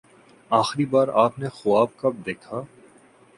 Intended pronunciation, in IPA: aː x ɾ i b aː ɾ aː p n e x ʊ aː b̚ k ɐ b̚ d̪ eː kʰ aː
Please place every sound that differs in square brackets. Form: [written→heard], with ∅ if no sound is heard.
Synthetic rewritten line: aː x ɾ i b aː ɾ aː p n e x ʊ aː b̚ k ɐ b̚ d̪ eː kʰ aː